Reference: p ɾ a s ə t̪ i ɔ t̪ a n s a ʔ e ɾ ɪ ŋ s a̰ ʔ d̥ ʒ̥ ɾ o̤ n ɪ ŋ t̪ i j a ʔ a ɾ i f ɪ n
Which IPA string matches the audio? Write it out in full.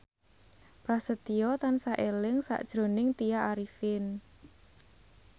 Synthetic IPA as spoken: p ɾ a s ə t̪ i ɔ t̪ a n s a ʔ e l ɪ ŋ s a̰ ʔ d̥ ʒ̥ ɾ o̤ n ɪ ŋ t̪ i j a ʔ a ɾ i f ɪ n